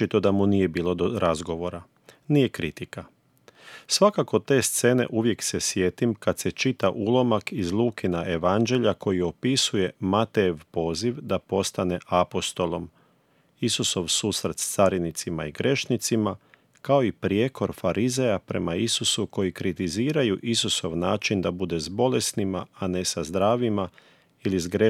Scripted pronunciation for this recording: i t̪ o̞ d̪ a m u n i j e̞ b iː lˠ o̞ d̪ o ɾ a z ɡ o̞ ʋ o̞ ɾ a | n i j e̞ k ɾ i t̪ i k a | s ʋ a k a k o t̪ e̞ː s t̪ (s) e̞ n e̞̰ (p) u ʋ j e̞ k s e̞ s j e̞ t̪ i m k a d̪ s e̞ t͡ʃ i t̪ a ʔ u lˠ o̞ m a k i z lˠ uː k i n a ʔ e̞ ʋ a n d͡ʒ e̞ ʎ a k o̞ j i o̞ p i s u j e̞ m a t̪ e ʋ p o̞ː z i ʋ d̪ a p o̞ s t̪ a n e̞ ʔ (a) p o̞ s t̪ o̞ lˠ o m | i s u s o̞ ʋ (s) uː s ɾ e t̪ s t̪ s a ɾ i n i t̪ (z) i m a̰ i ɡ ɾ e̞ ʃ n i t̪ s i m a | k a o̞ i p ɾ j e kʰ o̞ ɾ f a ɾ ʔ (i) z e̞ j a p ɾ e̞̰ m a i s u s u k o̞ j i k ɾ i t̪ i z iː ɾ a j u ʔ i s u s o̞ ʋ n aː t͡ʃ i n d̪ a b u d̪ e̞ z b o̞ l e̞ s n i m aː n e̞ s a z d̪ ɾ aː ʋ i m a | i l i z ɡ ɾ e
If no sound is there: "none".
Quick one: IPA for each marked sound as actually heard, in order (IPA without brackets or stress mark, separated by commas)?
s, ʔ, a, s, s, i